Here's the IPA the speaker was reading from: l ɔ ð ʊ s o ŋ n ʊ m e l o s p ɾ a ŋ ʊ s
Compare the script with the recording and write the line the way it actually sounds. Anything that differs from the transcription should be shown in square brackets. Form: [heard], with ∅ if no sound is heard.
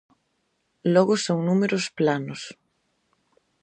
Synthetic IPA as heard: l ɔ [ɣ] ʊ s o ŋ n [u] m e [ɾ] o s p [l] a [n] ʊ s